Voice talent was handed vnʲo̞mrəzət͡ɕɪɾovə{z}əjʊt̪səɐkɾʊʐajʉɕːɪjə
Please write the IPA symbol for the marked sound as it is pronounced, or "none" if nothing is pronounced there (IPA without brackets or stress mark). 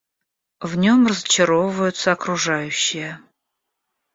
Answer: v